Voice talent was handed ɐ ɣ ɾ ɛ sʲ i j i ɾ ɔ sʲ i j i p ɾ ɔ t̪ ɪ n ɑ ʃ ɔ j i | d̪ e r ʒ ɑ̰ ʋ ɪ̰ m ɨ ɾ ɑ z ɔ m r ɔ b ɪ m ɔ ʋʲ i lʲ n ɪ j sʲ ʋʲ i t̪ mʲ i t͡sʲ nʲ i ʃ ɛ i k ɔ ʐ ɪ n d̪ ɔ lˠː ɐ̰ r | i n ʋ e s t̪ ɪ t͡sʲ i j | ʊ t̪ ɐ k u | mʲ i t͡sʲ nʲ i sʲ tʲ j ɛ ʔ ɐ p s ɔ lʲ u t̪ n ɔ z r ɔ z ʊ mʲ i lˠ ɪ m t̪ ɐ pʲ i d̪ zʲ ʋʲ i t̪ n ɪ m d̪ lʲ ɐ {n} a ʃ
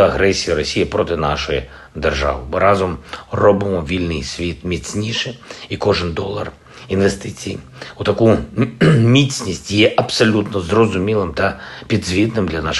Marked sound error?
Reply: no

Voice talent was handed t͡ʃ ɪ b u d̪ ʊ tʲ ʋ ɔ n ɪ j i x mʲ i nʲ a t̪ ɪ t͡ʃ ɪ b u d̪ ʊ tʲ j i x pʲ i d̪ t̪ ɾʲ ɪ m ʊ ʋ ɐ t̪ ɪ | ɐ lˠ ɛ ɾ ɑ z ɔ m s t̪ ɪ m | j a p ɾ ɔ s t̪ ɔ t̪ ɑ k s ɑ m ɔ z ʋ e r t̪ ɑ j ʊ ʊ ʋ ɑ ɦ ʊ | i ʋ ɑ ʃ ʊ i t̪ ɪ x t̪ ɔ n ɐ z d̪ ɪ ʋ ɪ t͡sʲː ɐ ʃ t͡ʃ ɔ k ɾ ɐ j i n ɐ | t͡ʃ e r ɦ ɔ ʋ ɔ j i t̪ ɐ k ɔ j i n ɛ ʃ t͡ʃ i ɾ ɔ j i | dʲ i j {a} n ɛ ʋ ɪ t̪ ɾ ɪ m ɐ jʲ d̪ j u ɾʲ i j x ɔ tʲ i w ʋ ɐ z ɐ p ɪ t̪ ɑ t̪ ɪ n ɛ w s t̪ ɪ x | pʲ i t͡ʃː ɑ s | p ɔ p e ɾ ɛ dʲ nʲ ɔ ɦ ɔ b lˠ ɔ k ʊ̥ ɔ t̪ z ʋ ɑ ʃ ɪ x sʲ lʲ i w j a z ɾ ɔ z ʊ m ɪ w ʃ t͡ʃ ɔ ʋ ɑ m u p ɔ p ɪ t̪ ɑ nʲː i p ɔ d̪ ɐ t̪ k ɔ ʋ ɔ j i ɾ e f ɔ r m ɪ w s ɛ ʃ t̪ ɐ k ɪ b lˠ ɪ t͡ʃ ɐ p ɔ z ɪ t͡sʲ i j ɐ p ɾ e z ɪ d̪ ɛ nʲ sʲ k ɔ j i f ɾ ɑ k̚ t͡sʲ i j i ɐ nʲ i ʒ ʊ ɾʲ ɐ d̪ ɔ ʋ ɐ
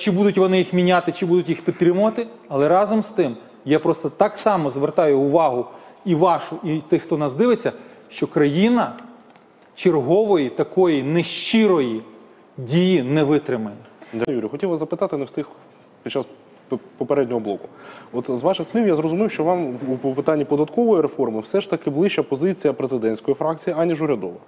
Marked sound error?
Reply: yes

